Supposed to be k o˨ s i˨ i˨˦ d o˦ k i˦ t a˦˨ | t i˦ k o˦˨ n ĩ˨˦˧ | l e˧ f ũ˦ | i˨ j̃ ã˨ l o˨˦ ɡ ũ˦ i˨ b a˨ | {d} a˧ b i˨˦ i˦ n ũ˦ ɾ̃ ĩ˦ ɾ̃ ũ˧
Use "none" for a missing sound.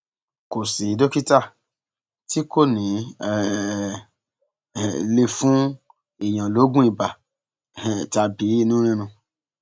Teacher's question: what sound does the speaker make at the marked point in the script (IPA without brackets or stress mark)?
t